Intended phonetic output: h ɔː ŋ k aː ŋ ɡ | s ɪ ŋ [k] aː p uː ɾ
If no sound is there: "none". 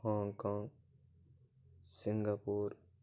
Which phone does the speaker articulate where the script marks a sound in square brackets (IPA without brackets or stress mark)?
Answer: ɡ